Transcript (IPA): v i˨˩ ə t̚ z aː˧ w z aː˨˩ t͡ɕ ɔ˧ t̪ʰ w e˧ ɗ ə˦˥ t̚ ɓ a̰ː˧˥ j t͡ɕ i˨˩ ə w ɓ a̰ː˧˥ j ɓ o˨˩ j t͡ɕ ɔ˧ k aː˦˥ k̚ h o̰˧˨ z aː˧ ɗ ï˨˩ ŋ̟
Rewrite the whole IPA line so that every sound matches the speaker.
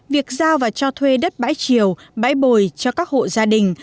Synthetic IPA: v i˨˩ ə k̚ z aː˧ w v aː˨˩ t͡ɕ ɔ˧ t̪ʰ w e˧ ɗ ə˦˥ t̚ ɓ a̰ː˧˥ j t͡ɕ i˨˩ ə w ɓ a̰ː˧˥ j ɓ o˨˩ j t͡ɕ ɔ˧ k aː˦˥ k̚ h o̰˧˨ z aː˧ ɗ ï˨˩ ŋ̟